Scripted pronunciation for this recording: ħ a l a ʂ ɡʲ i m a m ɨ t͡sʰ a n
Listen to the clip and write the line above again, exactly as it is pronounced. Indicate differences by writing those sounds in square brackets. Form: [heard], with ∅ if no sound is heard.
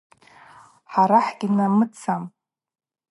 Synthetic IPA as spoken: ħ a [ɾ] a [ħ] ɡʲ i [n] a m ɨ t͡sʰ a [m]